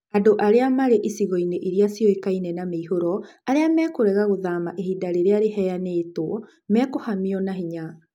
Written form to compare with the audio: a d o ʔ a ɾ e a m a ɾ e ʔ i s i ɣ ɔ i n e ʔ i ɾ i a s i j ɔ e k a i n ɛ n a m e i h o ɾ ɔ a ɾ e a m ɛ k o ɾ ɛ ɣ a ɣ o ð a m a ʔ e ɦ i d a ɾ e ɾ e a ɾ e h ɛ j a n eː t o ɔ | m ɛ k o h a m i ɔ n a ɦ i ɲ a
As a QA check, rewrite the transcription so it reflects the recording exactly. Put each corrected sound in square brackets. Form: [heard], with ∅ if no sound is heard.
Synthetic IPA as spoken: a d o ʔ a ɾ e a m a ɾ e ʔ i s i ɣ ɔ i n e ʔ i ɾ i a s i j ɔ e k a i n ɛ n a m e i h o ɾ ɔ a ɾ e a m ɛ k o ɾ ɛ ɣ a ɣ o ð a m a ʔ e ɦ i d a ɾ e ɾ e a ɾ e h ɛ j a n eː t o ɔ | m ɛ k o h a m i ɔ n a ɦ i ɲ a